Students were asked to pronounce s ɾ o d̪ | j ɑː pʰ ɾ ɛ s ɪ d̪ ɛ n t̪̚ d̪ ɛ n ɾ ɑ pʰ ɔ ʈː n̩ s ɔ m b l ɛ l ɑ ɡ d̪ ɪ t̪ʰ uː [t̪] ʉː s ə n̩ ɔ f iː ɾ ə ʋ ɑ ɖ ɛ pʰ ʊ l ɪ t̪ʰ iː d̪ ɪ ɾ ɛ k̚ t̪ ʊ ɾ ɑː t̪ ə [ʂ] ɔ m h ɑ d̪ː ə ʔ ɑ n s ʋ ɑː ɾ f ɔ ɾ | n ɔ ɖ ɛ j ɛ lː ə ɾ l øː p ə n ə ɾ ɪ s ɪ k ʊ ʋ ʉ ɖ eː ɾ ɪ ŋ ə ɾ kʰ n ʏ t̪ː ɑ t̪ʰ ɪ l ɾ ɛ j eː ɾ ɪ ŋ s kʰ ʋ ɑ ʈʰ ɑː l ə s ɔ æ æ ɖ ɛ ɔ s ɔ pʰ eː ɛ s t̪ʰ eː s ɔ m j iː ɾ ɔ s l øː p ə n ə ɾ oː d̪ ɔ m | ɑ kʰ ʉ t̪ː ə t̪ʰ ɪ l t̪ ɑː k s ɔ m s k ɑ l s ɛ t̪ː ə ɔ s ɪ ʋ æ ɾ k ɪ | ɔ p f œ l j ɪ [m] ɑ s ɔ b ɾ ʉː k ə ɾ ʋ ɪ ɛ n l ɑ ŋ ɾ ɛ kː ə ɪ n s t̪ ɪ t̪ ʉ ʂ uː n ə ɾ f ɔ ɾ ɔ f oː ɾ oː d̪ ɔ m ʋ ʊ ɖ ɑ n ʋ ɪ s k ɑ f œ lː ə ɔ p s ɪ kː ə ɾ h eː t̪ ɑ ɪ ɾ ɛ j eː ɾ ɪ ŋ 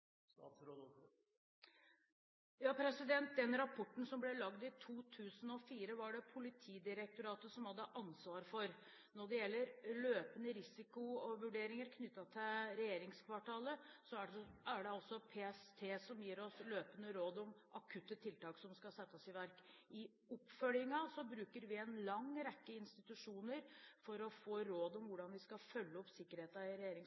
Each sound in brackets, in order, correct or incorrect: incorrect: t̪ʰ, incorrect: s, incorrect: ŋ

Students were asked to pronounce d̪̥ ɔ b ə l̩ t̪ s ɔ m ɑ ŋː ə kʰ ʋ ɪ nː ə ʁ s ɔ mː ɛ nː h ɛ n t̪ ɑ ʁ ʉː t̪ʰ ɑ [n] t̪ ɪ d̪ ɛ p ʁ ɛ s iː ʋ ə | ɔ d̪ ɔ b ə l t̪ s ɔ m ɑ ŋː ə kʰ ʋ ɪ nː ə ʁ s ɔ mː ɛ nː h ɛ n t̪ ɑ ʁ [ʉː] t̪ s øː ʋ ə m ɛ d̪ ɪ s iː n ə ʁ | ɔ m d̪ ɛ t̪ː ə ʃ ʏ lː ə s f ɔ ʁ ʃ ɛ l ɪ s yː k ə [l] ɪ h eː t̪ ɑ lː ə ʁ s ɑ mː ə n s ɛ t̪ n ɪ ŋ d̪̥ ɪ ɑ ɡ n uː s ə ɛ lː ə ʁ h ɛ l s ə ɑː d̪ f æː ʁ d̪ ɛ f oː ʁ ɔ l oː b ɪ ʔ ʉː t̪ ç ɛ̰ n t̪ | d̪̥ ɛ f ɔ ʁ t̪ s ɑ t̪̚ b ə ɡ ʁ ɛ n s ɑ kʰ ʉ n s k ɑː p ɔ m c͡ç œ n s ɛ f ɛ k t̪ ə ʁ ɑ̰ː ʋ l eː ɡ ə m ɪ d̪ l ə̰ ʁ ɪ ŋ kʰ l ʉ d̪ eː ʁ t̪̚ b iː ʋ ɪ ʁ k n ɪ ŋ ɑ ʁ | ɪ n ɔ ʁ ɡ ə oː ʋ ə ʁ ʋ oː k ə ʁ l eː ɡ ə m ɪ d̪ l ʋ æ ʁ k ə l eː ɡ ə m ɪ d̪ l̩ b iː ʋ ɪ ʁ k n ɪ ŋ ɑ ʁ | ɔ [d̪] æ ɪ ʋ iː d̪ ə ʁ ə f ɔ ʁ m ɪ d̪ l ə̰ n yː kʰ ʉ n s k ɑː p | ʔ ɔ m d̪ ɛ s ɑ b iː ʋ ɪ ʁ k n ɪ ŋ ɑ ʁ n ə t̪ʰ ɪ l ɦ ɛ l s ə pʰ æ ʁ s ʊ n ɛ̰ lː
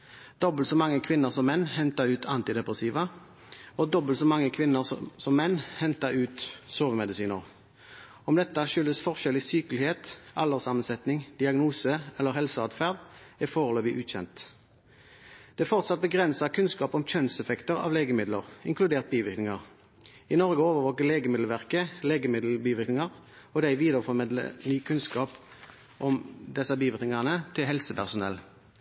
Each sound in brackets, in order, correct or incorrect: correct, correct, correct, correct

